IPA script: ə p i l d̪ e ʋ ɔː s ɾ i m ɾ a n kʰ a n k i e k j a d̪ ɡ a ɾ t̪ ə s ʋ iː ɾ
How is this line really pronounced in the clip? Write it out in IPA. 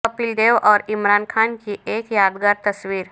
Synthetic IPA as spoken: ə p i l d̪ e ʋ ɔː ɾ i m ɾ a n kʰ a n k i e k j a d̪ ɡ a ɾ t̪ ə s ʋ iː ɾ